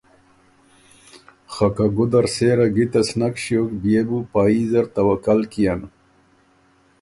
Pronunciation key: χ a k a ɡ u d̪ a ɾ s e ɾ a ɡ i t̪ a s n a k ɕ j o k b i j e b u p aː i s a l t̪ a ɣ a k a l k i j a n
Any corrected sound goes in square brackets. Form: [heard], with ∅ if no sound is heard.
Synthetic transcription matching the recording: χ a k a ɡ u d̪ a ɾ s e ɾ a ɡ i t̪ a s n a k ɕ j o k b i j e b u p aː i [z] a [ɾ] t̪ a [w] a k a l k i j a n